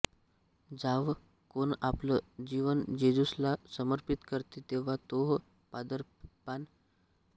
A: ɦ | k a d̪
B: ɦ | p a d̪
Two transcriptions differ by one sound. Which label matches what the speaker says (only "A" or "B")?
B